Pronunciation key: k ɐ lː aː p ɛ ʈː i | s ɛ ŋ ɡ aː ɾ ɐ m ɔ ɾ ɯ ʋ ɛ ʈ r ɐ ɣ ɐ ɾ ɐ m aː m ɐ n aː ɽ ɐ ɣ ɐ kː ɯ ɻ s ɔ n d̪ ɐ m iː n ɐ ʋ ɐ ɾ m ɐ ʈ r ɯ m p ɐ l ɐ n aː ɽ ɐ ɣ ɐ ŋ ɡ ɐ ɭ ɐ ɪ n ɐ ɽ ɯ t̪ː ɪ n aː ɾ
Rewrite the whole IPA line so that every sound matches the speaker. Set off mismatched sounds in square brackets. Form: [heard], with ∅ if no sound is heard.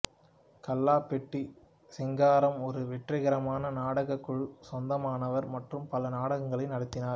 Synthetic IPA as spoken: k ɐ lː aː p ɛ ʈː i | s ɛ ŋ ɡ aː ɾ ɐ m ɔ ɾ ɯ ʋ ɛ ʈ r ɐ ɣ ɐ ɾ ɐ m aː [n] ɐ n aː ɽ ɐ ɣ ɐ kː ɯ ɻ s ɔ n d̪ ɐ m [aː] n ɐ ʋ ɐ ɾ m ɐ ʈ r ɯ m p ɐ l ɐ n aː ɽ ɐ ɣ ɐ ŋ ɡ ɐ ɭ ɐ ɪ n ɐ ɽ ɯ t̪ː ɪ n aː ɾ